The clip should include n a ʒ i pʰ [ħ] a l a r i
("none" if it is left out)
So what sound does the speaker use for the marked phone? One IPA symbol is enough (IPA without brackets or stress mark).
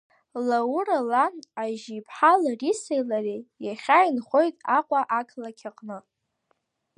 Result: ħ